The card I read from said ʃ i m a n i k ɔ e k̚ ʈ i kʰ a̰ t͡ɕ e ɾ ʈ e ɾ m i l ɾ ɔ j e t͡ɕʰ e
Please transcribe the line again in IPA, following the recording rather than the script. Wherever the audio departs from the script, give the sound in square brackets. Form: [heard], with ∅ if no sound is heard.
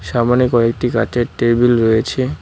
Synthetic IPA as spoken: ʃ [a] m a n i k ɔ e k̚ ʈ i [k] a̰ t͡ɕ e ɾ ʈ e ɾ [b] i l ɾ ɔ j e t͡ɕʰ e

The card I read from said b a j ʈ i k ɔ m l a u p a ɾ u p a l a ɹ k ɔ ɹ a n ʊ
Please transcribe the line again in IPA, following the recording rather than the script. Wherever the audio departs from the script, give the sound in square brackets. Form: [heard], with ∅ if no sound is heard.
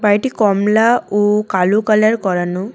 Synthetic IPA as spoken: b a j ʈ i k ɔ m l a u [k] a [l] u [k] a l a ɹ k ɔ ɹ a n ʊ

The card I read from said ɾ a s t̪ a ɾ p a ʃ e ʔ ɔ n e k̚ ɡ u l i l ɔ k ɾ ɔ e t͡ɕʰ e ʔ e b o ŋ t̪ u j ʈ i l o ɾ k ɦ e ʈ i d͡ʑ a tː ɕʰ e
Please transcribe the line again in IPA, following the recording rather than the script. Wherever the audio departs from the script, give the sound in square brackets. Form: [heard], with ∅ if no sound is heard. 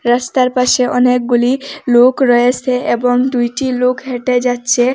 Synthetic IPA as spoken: ɾ a s t̪ a ɾ p a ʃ e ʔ ɔ n e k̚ ɡ u l i l [o] k ɾ ɔ e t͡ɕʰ e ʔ e b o ŋ [d̪] u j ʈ i l o [∅] k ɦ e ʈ [e] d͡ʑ a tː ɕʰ e

